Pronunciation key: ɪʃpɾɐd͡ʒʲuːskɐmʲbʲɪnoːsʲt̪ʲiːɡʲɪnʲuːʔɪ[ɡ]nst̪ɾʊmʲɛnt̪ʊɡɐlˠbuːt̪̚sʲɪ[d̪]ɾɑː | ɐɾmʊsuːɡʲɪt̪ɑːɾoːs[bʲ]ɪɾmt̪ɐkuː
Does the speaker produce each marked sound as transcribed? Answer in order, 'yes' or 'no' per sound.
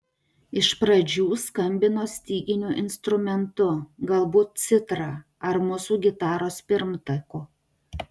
no, no, no

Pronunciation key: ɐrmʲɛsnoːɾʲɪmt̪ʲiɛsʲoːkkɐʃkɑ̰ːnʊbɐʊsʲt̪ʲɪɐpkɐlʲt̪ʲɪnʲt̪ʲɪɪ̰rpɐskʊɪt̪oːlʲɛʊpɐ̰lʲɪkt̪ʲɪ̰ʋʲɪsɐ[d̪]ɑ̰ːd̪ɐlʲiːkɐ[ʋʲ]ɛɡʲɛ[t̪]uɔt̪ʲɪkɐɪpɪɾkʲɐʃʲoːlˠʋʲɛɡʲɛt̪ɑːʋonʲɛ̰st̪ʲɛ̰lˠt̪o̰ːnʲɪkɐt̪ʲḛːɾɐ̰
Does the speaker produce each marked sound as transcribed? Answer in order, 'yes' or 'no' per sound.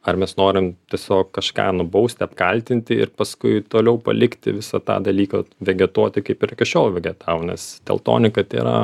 no, yes, yes

